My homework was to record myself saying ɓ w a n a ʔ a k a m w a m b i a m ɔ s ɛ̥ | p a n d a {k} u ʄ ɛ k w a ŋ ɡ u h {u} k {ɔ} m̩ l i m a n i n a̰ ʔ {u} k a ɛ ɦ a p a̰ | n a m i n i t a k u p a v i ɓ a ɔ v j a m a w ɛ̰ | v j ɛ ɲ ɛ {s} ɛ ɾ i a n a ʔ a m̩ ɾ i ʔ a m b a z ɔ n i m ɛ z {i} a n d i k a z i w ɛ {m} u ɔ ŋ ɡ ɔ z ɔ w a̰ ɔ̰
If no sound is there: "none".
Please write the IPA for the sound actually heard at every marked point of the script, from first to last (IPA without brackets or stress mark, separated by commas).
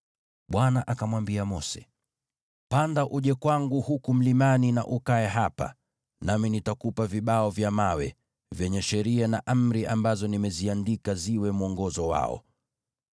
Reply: ʔ, u, u, u, ʃ, i, m